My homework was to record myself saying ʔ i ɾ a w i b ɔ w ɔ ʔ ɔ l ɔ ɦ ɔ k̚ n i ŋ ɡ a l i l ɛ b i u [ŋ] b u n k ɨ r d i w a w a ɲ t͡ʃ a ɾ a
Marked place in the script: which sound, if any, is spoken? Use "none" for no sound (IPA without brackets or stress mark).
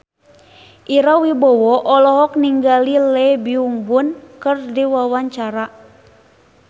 ŋ